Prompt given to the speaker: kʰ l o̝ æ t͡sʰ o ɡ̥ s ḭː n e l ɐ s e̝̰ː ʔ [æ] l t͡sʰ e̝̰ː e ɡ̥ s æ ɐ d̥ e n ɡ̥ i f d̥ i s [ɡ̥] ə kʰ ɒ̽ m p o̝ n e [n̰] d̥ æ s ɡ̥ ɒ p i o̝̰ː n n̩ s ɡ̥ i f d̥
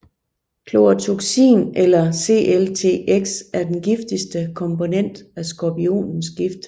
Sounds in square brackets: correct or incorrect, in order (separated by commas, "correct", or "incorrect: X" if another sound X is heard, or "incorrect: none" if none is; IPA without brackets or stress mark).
incorrect: e, incorrect: d̥, correct